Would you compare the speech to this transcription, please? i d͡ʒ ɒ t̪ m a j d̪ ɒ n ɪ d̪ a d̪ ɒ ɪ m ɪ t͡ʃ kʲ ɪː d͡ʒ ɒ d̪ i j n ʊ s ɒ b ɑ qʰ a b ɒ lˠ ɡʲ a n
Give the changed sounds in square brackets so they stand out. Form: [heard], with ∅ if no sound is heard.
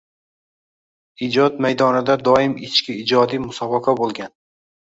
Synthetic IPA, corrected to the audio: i d͡ʒ ɒ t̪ m a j d̪ ɒ n ɪ d̪ a d̪ ɒ ɪ m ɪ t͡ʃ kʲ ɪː d͡ʒ ɒ d̪ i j [m] ʊ s ɒ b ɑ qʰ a b [o] lˠ ɡʲ a n